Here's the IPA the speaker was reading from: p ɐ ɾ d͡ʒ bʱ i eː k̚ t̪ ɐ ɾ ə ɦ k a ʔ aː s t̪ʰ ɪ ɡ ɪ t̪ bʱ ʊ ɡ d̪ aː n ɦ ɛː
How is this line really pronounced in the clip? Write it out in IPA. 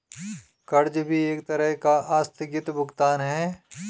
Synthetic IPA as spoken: k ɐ ɾ d͡ʒ bʱ i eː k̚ t̪ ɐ ɾ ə ɦ k a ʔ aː s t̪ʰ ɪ ɡ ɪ t̪ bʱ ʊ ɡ t̪ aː n ɦ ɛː